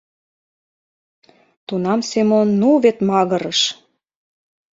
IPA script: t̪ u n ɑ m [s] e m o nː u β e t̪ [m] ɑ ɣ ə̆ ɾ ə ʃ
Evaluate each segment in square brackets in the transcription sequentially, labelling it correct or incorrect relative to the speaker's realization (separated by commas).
correct, correct